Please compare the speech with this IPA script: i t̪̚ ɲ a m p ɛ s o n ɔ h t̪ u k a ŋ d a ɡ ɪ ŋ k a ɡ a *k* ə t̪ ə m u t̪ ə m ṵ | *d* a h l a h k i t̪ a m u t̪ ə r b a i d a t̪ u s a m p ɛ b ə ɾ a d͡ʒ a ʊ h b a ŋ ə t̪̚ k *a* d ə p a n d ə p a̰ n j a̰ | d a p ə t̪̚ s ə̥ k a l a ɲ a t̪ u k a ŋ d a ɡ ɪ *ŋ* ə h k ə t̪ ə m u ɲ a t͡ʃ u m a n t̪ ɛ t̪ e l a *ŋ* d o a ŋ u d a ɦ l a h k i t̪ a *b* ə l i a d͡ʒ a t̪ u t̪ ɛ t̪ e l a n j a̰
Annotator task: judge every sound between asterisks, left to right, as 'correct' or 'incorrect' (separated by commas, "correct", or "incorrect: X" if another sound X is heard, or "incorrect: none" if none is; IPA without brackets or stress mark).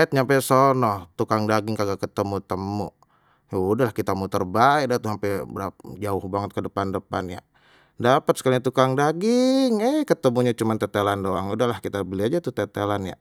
correct, correct, incorrect: ə, correct, incorrect: n, correct